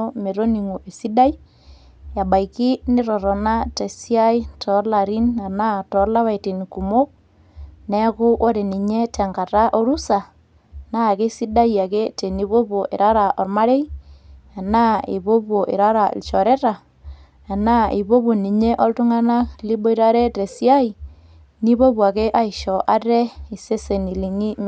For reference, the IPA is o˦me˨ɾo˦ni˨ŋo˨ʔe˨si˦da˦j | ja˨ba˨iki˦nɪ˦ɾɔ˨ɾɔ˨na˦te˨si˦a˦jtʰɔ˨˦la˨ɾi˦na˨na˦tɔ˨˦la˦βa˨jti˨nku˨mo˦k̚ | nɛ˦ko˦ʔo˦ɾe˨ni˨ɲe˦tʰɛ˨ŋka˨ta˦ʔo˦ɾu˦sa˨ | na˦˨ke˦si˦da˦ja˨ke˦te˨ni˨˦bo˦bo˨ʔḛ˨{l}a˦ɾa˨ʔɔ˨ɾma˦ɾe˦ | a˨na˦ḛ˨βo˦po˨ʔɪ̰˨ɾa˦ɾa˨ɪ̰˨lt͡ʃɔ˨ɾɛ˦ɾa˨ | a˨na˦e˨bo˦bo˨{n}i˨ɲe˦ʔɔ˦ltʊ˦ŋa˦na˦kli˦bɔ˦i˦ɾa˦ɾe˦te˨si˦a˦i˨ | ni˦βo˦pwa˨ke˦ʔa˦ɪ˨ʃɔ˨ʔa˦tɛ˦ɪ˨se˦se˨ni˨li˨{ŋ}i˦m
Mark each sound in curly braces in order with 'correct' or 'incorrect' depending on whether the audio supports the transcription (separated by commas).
incorrect, correct, correct